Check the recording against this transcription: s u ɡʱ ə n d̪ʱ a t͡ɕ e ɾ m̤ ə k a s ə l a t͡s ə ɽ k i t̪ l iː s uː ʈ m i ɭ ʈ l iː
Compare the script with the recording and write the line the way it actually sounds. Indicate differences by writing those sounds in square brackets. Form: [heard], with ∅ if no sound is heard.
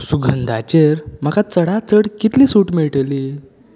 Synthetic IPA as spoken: s u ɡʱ ə n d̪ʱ a t͡ɕ e ɾ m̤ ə k a [t͡s] ə [ɽ] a t͡s ə ɽ k i t̪ l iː s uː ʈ m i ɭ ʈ l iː